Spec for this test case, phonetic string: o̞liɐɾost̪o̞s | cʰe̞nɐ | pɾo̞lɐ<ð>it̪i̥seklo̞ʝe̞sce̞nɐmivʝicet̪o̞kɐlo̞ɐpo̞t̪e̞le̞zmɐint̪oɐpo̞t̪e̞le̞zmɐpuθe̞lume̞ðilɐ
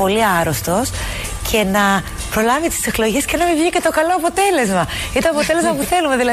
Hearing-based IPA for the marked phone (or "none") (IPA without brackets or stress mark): v